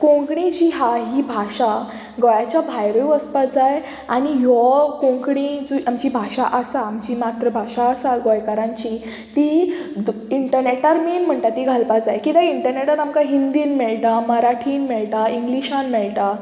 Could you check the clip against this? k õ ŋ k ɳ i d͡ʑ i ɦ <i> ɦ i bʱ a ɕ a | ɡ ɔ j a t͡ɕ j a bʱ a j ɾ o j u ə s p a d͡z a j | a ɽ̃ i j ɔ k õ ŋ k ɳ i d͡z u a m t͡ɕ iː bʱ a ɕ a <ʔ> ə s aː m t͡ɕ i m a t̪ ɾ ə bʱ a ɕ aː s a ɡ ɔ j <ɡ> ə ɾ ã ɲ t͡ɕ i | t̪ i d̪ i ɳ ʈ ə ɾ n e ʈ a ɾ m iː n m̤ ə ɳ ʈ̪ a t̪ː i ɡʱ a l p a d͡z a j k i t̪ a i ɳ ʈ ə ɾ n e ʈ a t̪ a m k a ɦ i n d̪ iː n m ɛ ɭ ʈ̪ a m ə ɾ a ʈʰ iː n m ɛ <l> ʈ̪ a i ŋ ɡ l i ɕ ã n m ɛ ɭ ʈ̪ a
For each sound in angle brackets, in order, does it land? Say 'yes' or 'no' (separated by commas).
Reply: no, yes, no, no